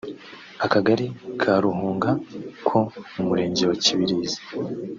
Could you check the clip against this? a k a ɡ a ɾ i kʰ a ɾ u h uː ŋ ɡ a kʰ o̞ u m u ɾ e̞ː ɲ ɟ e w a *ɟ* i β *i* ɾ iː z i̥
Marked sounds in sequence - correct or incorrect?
incorrect, correct

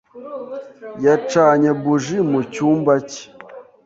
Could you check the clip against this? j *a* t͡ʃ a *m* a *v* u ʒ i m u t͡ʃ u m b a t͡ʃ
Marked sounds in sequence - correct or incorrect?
correct, incorrect, incorrect

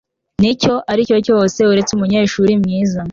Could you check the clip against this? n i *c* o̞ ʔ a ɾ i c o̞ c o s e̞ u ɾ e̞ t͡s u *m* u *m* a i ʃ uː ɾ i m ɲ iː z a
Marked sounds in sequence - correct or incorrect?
correct, correct, incorrect

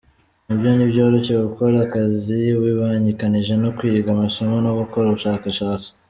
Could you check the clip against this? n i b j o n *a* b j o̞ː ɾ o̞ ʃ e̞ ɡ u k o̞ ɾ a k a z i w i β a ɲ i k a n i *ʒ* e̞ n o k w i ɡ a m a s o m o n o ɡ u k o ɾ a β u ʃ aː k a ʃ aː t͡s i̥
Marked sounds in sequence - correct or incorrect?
incorrect, correct

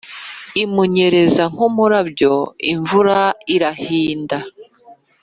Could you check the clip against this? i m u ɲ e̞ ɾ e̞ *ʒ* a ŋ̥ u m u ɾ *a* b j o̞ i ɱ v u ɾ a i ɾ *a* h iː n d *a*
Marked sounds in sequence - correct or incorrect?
incorrect, correct, correct, correct

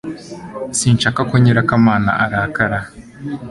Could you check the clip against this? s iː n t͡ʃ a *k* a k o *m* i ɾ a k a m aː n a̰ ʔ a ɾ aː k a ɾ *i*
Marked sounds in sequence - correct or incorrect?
correct, incorrect, incorrect

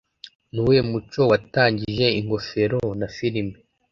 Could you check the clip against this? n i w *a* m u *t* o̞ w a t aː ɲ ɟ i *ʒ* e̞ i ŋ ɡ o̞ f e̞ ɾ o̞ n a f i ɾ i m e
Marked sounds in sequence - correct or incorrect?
incorrect, incorrect, correct

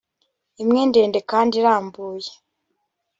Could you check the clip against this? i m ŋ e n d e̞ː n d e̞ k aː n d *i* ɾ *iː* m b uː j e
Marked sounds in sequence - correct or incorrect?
correct, incorrect

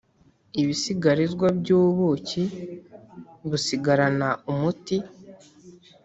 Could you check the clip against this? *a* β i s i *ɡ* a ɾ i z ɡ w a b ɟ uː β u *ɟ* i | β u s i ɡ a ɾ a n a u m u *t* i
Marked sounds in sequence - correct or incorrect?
incorrect, correct, incorrect, correct

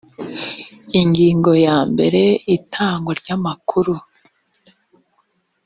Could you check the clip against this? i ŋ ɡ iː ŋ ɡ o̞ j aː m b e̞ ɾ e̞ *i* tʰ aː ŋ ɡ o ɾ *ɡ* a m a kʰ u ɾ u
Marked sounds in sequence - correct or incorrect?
correct, incorrect

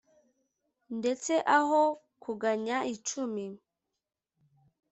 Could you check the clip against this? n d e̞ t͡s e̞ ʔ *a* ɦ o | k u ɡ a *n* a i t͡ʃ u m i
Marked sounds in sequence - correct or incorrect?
correct, incorrect

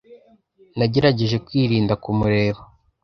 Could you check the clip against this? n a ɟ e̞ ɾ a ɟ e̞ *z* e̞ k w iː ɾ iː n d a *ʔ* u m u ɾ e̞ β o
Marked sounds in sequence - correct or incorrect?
incorrect, incorrect

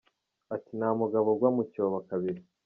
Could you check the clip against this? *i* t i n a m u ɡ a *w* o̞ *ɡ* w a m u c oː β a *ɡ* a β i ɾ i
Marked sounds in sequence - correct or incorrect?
incorrect, incorrect, correct, incorrect

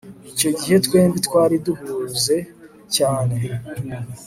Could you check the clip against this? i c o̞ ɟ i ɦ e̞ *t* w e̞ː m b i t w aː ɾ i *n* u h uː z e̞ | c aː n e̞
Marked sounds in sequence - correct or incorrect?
correct, incorrect

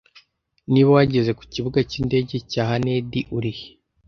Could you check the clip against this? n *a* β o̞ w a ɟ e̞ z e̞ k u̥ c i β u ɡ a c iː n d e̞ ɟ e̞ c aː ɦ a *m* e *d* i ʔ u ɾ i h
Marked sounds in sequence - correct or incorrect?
incorrect, incorrect, correct

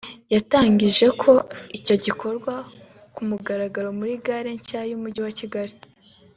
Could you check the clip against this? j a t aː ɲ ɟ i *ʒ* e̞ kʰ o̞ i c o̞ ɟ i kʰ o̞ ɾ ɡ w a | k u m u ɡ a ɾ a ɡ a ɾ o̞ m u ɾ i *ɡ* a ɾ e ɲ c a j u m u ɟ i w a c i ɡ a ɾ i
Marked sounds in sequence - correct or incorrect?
correct, correct

